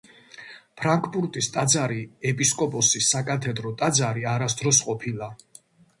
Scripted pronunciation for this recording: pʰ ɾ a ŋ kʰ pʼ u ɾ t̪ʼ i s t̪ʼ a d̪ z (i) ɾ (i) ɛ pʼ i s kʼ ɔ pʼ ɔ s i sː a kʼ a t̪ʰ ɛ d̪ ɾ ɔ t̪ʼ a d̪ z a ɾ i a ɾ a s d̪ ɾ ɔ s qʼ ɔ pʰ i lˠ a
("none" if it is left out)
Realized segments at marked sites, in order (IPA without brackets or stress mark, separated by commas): a, i